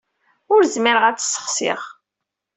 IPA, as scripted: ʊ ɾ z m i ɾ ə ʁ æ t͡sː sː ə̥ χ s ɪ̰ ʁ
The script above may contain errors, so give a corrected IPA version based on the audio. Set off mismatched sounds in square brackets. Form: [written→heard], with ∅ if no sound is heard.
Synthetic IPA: ʊ ɾ z m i ɾ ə ʁ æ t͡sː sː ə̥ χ s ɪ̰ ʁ